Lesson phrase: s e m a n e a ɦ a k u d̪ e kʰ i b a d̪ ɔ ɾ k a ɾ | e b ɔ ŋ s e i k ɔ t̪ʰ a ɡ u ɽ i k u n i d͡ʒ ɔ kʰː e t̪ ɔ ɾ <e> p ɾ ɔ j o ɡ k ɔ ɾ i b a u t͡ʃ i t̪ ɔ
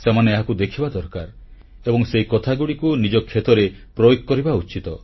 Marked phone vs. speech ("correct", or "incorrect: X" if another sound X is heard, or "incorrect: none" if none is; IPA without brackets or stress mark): correct